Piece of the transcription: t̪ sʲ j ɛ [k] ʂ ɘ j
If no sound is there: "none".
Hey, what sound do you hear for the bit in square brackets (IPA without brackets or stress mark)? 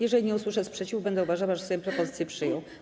p